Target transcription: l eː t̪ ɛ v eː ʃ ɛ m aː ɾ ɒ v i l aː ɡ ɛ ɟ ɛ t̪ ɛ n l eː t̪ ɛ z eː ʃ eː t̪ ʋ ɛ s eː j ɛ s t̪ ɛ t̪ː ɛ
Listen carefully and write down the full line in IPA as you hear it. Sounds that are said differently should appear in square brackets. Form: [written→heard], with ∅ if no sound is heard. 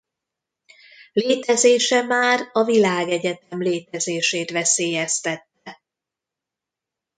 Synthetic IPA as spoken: l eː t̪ ɛ [v→z] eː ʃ ɛ m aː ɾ ɒ v i l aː ɡ ɛ ɟ ɛ t̪ ɛ [n→m] l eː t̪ ɛ z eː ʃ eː t̪ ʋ ɛ s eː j ɛ s t̪ ɛ t̪ː ɛ